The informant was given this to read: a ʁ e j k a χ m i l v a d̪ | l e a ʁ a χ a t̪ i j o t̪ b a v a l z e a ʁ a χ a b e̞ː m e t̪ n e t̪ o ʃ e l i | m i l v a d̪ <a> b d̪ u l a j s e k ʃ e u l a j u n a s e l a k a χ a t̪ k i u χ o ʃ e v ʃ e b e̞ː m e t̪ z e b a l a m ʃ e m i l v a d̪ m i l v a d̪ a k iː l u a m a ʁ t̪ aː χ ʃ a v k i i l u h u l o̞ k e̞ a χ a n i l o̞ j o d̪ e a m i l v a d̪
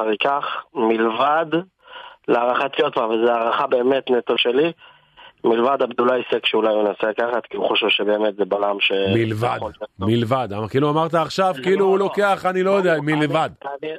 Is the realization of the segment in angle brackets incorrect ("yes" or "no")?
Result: no